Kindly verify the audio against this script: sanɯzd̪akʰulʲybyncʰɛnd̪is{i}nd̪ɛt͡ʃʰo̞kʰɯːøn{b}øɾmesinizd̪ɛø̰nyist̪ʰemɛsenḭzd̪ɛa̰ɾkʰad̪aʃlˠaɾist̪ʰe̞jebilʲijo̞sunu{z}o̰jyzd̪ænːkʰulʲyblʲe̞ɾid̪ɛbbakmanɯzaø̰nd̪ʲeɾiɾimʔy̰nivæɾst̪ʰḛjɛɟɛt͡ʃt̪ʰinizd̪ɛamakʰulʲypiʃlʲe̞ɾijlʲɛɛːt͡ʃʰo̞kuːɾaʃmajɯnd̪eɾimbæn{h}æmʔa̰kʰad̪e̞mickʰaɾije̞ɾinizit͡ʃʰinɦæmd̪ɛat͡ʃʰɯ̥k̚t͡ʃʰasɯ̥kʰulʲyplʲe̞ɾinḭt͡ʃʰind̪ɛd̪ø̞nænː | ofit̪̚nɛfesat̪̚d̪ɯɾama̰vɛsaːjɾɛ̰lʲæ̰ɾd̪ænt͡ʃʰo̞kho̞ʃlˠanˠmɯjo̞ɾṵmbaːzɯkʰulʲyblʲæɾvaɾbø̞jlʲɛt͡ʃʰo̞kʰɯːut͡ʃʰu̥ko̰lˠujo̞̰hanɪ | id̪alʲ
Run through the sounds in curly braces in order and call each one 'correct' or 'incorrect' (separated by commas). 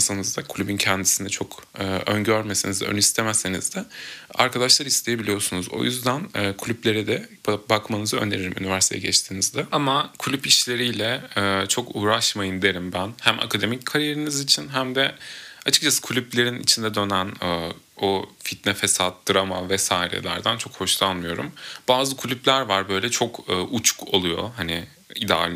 correct, incorrect, correct, correct